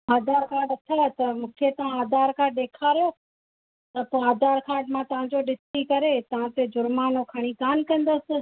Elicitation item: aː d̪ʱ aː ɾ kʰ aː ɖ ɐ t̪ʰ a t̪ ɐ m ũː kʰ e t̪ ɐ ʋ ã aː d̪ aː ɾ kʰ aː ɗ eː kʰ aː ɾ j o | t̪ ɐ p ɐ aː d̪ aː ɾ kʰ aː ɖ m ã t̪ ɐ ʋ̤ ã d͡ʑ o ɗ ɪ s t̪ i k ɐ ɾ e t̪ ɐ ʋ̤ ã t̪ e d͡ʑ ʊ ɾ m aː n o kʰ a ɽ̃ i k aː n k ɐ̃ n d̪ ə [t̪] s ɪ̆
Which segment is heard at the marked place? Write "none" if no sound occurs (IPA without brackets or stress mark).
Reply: none